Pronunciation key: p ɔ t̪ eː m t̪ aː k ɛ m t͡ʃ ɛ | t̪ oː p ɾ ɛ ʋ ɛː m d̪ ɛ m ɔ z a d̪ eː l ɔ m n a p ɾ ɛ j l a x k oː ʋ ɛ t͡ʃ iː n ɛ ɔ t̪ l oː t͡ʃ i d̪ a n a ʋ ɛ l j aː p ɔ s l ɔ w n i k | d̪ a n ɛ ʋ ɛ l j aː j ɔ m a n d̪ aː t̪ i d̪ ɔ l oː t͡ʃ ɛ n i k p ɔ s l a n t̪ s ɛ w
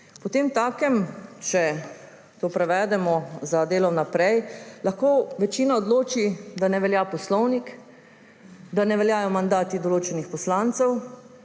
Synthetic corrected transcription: p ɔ t̪ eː m t̪ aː k ɛ m t͡ʃ ɛ | t̪ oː p ɾ ɛ ʋ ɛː d̪ ɛ m ɔ z a d̪ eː l ɔ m n a p ɾ ɛ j l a x k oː ʋ ɛ t͡ʃ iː n a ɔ d̪ l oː t͡ʃ i d̪ a n ɛ ʋ ɛ l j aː p ɔ s l ɔ w n i k | d̪ a n ɛ ʋ ɛ l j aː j ɔ m a n d̪ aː t̪ i d̪ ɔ l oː t͡ʃ ɛ n i x p ɔ s l a n t̪ s ɛ w

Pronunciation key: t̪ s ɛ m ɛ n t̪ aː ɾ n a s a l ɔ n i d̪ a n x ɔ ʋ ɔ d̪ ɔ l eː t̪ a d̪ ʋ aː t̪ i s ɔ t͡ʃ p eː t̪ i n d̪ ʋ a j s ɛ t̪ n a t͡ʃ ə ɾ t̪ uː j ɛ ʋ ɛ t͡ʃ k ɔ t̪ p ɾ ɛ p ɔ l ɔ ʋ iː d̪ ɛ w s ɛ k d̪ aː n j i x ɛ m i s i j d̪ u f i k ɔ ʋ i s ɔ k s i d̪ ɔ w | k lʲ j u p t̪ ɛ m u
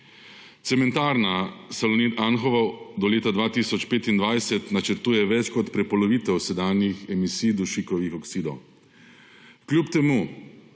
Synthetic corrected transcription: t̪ s ɛ m ɛ n t̪ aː ɾ n a s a l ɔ n i t̪ a n x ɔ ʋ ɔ d̪ ɔ l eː t̪ a d̪ ʋ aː t̪ i s ɔ t͡ʃ p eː t̪ i n d̪ ʋ a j s ɛ t̪ n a t͡ʃ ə ɾ t̪ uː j ɛ ʋ ɛ t͡ʃ k ɔ t̪ p ɾ ɛ p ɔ l ɔ ʋ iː t̪ ɛ w s ɛ d̪ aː n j i x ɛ m i s i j d̪ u ʃ i k ɔ ʋ i x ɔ k s i d̪ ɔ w | k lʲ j u p t̪ ɛ m u

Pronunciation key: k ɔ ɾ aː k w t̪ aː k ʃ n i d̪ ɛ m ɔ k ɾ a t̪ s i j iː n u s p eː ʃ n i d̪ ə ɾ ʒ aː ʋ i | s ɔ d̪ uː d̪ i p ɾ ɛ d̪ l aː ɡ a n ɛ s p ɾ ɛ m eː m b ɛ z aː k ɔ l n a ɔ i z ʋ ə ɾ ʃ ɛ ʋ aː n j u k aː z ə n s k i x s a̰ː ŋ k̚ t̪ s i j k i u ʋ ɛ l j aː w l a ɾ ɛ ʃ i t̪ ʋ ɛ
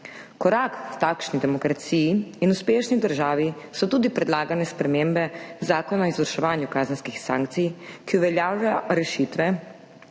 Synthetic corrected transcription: k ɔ ɾ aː k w t̪ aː k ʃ n i d̪ ɛ m ɔ k ɾ a t̪ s i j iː n u s p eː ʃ n i d̪ ə ɾ ʒ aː ʋ i | s ɔ t̪ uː d̪ i p ɾ ɛ d̪ l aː ɡ a n ɛ s p ɾ ɛ m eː m b ɛ z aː k ɔ n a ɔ i z ʋ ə ɾ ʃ ɛ ʋ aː n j u k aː z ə n s k i x s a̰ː ŋ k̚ t̪ s i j k i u ʋ ɛ l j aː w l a ɾ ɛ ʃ i t̪ ʋ ɛ

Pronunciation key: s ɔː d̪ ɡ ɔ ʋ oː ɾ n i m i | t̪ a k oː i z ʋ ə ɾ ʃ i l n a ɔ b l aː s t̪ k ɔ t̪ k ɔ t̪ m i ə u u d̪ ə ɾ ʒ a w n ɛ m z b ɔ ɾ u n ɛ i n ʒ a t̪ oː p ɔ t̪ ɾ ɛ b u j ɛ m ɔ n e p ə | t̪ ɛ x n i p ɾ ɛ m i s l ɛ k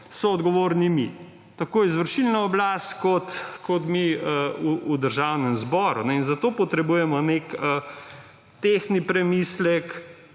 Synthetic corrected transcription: s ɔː d̪ ɡ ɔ ʋ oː ɾ n i m i | t̪ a k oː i z ʋ ə ɾ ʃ i l n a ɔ b l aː s t̪ k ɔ t̪ k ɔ t̪ m i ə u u d̪ ə ɾ ʒ a w n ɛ m z b ɔ ɾ u n ɛ i n z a t̪ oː p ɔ t̪ ɾ ɛ b u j ɛ m ɔ n e k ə | t̪ e x n i p ɾ ɛ m i s l ɛ k

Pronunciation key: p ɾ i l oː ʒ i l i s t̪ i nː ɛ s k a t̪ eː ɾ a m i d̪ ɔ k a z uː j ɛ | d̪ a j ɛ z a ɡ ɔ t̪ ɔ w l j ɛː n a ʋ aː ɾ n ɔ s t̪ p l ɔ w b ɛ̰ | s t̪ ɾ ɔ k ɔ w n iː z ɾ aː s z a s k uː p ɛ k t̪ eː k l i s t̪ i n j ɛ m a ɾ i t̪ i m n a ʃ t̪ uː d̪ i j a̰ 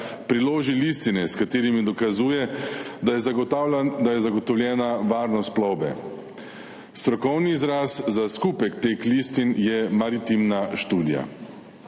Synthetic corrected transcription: p ɾ i l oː ʒ i l i s t̪ i n ɛ s k a t̪ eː ɾ i m i d̪ ɔ k a z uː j ɛ | d̪ a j ɛ z a ɡ ɔ t̪ ɔ w l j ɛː n a ʋ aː ɾ n ɔ s t̪ p l ɔ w b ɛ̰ | s t̪ ɾ ɔ k ɔ w n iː z ɾ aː s z a s k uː p ɛ k t̪ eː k l i s t̪ i n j ɛ m a ɾ i t̪ i m n a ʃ t̪ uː d̪ i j a̰

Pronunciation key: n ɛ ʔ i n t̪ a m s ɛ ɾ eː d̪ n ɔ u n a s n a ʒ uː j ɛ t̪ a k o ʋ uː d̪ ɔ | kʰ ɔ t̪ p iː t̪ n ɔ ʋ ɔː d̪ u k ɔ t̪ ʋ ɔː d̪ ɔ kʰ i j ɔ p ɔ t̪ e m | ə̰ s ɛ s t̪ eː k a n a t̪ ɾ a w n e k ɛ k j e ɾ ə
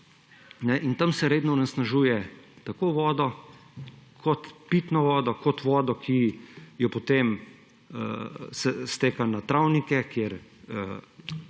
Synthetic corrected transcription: n ɛ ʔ i n t̪ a m s ɛ ɾ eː d̪ n ɔ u n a s n a ʒ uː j ɛ t̪ a k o ʋ ɔː d̪ ɔ | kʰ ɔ t̪ p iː t̪ n ɔ ʋ ɔː d̪ ɔ k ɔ t̪ ʋ ɔː d̪ ɔ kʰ i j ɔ p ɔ t̪ e m | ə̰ s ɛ s t̪ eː k a n a t̪ ɾ a w n i k ɛ k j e ɾ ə

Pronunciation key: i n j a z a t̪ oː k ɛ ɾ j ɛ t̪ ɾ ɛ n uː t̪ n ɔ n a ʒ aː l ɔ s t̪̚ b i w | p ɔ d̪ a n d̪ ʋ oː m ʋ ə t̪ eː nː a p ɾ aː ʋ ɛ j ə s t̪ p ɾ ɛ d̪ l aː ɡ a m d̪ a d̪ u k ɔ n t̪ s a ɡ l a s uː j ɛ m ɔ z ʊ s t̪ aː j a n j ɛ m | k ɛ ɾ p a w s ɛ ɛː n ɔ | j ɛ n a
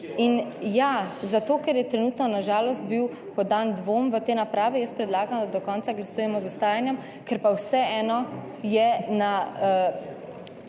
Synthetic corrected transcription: i n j a z a t̪ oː k ɛ ɾ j ɛ t̪ ɾ ɛ n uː t̪ n ɔ n a ʒ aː l ɔ s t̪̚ b i w | p ɔ d̪ a n d̪ ʋ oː m ʋ ə t̪ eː n a p ɾ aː ʋ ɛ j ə s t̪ p ɾ ɛ d̪ l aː ɡ a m d̪ a d̪ ɔ k ɔ n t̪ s a ɡ l a s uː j ɛ m ɔ z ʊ s t̪ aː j a n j ɛ m | k ɛ ɾ p a w s ɛ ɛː n ɔ | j ɛ n a

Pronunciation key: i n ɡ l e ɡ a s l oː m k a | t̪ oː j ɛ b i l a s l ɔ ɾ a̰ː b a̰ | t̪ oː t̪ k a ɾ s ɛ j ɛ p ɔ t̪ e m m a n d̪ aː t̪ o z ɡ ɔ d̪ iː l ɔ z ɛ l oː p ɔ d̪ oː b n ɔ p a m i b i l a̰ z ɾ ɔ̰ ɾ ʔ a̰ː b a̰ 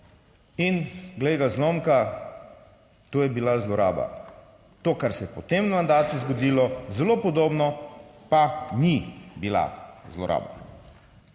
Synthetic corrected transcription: i n ɡ l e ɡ a z l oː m k a | t̪ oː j ɛ b i l a z l ɔ ɾ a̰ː b a̰ | t̪ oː k a ɾ s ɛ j ɛ p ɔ t̪ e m m a n d̪ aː t̪ u z ɡ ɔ d̪ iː l ɔ z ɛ l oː p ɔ d̪ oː b n ɔ p a n i b i l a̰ z l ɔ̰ ɾ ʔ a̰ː b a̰

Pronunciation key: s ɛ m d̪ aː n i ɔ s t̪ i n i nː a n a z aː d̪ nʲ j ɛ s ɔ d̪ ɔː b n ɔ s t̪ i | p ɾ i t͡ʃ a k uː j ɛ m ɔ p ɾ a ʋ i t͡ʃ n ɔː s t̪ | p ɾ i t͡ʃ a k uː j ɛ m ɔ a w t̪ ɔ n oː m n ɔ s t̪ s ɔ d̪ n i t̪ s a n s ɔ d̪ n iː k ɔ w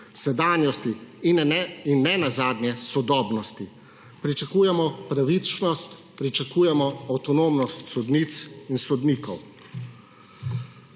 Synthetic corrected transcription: s ɛ d̪ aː n j ɔ s t̪ i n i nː ɛ n a z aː d̪ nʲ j ɛ s ɔ d̪ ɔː b n ɔ s t̪ i | p ɾ i t͡ʃ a k uː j ɛ m ɔ p ɾ a ʋ i t͡ʃ n ɔ s t̪ | p ɾ i t͡ʃ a k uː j ɛ m ɔ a w t̪ ɔ n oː m n ɔ s t̪ s ɔ d̪ n i t̪ s i n s ɔ d̪ n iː k ɔ w

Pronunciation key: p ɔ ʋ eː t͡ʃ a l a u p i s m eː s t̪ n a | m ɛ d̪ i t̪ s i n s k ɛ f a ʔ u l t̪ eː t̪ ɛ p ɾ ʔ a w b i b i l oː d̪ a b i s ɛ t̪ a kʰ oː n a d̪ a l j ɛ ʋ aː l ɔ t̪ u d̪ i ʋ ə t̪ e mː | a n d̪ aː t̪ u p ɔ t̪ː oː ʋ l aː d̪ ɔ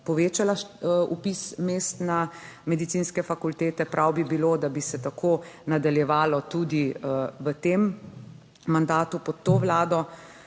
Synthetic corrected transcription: p ɔ ʋ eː t͡ʃ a l a u p i s m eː s t̪ n a | m ɛ d̪ i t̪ s i n s k ɛ f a k u l t̪ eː t̪ ɛ p ɾ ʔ a w b i b i l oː d̪ a b i s ɛ t̪ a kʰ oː n a d̪ a l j ɛ ʋ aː l ɔ t̪ u d̪ i ʋ ə t̪ e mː | a n d̪ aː t̪ u p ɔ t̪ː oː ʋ l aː d̪ ɔ

